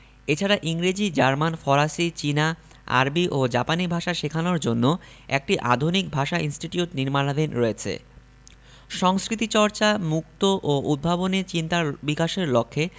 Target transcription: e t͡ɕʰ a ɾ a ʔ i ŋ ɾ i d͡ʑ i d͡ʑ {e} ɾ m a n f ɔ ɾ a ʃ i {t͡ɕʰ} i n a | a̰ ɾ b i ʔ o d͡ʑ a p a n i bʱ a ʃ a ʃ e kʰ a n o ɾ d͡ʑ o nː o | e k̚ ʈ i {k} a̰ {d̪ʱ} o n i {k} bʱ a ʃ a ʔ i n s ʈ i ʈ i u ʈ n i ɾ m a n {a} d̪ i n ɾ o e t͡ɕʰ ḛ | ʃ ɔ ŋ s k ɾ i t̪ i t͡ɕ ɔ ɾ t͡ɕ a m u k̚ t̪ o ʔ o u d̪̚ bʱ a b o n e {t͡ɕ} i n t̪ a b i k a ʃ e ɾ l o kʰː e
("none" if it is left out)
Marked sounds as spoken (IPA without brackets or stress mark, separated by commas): a, t͡ɕ, ʔ, d̪ʱ, k, a, t͡ɕ